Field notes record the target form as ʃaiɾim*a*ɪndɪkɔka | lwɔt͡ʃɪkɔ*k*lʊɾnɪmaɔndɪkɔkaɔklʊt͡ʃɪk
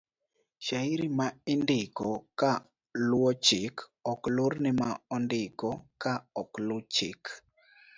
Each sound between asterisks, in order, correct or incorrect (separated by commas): correct, correct